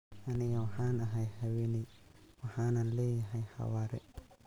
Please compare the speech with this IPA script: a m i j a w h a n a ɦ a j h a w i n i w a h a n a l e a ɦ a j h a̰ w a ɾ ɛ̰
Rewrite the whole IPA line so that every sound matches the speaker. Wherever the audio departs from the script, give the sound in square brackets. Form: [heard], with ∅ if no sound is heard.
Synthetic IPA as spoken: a [n] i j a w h a n a ɦ a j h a w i n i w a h a n a l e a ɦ a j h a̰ w a ɾ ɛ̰

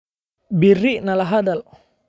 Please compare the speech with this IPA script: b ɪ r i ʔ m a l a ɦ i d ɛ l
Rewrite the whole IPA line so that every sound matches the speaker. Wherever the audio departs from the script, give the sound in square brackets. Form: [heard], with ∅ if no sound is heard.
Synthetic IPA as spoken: b [i] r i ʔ [n] a l a ɦ [a] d [a] l

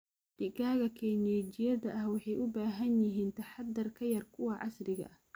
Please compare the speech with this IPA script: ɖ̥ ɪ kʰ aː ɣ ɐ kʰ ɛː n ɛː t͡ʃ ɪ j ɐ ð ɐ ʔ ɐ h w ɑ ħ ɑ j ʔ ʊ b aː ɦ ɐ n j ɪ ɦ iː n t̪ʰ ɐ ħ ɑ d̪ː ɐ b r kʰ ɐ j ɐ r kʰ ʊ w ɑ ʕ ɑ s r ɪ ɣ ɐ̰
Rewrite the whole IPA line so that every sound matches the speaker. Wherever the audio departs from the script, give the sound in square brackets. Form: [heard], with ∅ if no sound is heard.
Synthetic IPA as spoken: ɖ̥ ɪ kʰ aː ɣ ɐ kʰ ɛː n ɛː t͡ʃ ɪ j ɐ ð ɐ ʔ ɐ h w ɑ ħ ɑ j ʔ ʊ b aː ɦ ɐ n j ɪ ɦ iː n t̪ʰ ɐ ħ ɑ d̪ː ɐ [∅] r kʰ ɐ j ɐ r kʰ ʊ w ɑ ʕ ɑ s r ɪ ɣ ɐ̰

